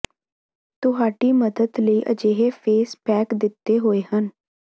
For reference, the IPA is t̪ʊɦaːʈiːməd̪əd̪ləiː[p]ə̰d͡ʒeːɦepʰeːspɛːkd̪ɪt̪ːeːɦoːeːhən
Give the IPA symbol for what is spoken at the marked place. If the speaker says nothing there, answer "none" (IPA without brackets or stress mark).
ʔ